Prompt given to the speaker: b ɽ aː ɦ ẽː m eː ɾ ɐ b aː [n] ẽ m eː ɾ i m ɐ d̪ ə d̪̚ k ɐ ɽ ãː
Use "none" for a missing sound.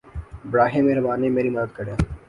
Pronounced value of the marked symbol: n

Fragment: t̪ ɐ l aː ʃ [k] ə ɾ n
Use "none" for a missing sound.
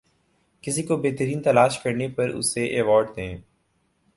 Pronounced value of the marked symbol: k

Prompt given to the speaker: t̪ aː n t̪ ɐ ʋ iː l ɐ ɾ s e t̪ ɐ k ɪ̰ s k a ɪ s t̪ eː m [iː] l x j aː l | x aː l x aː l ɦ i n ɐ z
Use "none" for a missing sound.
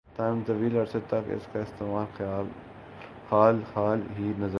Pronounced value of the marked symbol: aː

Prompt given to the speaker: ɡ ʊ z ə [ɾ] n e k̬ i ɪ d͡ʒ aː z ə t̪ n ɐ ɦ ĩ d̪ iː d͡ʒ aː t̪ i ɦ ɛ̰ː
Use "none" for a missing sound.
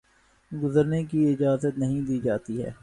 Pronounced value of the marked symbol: ɾ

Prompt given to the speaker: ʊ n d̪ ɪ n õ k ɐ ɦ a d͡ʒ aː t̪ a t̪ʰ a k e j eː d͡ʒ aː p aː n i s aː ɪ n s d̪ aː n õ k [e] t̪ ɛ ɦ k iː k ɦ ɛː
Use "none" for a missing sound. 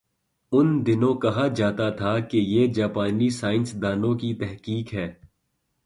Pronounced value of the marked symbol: i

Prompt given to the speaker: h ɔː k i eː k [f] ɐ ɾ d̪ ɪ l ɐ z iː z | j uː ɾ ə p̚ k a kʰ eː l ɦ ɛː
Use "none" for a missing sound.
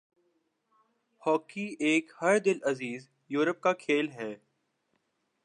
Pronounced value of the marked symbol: h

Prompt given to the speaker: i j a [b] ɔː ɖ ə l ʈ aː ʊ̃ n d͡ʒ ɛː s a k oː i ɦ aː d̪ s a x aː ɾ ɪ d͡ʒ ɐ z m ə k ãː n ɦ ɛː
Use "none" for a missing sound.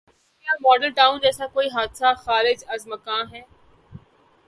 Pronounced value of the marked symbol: m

